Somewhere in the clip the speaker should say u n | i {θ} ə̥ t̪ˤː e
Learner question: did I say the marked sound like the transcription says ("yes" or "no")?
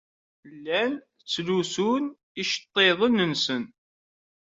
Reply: no